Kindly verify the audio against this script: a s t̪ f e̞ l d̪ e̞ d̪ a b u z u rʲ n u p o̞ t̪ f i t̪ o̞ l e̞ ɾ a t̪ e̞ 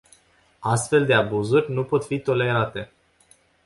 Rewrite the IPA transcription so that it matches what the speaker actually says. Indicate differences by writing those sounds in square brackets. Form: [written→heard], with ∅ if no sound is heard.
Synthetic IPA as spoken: a s t̪ f e̞ l d̪ e̞ [d̪→∅] a b u z u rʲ n u p o̞ t̪ f i t̪ o̞ l e̞ ɾ a t̪ e̞